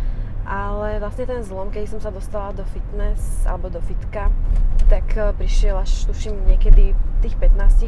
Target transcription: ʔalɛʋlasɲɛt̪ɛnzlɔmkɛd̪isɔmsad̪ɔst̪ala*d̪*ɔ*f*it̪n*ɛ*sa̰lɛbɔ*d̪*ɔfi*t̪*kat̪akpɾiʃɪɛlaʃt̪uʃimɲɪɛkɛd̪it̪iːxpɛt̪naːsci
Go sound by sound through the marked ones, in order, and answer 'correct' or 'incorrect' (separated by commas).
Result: correct, correct, correct, correct, correct